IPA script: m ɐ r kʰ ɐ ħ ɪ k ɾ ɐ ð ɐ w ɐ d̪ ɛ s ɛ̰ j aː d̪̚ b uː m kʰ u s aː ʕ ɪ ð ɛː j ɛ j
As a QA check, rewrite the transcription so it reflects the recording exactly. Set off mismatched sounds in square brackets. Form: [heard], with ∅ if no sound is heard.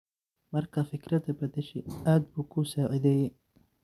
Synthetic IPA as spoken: m ɐ r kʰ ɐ [f] ɪ k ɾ ɐ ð ɐ [b] ɐ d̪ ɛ [ʃ] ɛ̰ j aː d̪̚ b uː [∅] kʰ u s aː ʕ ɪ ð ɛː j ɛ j